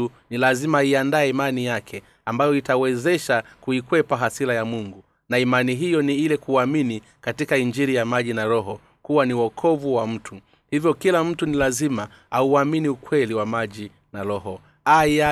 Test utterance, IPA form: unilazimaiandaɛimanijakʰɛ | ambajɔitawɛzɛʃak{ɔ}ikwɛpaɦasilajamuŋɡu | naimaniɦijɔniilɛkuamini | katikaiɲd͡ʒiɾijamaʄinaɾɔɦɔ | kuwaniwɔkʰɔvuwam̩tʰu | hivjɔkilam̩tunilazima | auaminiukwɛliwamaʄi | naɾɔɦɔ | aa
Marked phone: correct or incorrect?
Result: incorrect